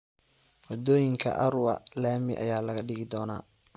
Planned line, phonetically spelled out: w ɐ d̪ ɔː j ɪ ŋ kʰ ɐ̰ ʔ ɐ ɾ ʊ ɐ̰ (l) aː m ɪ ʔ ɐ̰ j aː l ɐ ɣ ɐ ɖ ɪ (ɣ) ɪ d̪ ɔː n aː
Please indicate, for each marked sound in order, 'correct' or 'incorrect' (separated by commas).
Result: correct, correct